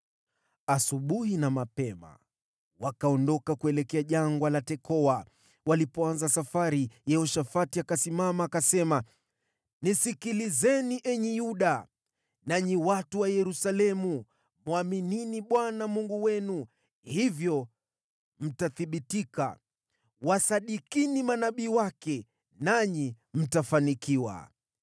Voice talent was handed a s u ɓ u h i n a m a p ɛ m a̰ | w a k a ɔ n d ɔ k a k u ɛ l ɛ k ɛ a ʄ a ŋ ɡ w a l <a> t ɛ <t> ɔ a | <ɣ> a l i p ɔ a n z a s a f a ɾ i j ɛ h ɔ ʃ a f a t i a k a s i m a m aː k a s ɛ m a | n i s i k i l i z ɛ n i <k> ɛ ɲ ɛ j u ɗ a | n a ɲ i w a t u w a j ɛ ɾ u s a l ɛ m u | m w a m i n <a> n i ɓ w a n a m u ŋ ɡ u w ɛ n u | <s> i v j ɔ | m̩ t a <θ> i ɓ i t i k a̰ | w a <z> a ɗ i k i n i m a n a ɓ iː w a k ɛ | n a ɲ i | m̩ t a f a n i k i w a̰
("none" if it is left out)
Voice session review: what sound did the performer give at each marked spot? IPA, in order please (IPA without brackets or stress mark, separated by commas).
a, k, w, ʔ, i, h, θ, s